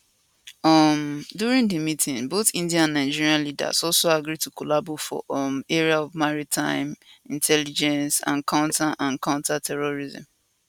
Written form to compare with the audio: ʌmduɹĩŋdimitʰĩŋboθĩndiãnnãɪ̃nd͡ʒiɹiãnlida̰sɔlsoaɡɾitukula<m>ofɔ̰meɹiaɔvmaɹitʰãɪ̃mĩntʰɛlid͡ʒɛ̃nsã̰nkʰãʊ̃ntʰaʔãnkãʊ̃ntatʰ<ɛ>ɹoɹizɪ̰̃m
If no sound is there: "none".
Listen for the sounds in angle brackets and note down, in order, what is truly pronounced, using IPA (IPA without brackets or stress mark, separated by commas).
b, ɛ